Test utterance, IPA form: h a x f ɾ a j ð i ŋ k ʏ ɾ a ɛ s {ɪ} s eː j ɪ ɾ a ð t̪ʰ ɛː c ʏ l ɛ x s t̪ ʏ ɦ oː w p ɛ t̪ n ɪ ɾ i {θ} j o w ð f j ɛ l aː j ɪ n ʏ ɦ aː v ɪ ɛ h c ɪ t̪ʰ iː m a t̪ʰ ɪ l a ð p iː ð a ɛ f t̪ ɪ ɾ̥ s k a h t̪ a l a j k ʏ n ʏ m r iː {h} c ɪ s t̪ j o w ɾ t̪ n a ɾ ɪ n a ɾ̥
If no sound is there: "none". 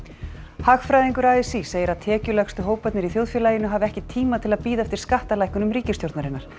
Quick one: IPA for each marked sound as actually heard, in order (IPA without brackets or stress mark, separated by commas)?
i, θ, none